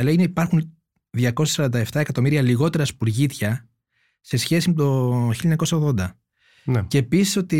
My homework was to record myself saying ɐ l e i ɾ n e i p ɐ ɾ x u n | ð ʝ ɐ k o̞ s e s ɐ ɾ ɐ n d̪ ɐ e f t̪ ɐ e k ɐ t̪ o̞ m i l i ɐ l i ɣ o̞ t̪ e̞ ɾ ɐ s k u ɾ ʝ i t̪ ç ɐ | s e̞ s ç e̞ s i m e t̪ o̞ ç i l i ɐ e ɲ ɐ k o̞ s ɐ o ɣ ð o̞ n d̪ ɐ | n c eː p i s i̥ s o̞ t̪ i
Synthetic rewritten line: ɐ l e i n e i p ɐ ɾ x u n | ð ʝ ɐ k o̞ s e s ɐ ɾ ɐ n d̪ ɐ e f t̪ ɐ e k ɐ t̪ o̞ m i ɾ i ɐ l i ɣ o̞ t̪ e̞ ɾ ɐ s p u ɾ ʝ i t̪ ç ɐ | s e̞ s ç e̞ s i m e t̪ o̞ ç i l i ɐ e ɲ ɐ k o̞ s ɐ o ɣ ð o̞ n d̪ ɐ | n c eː p i s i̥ s o̞ t̪ i